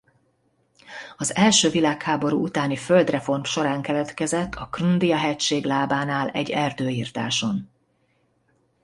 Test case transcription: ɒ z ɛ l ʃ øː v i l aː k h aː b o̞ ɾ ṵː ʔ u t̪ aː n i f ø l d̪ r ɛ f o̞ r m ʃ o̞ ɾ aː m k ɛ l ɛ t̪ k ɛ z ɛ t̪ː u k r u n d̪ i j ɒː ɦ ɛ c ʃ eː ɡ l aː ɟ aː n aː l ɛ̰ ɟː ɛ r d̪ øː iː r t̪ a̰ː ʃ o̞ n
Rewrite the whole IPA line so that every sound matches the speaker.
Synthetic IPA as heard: ɒ z ɛ l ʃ øː v i l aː k h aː b o̞ ɾ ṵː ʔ u t̪ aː n i f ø l d̪ r ɛ f o̞ r m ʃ o̞ ɾ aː ŋ k ɛ l ɛ t̪ k ɛ z ɛ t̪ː ɒ k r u n d̪ i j ɒ ɦ ɛ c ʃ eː ɡ l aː b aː n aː l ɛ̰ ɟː ɛ r d̪ øː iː r t̪ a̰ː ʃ o̞ n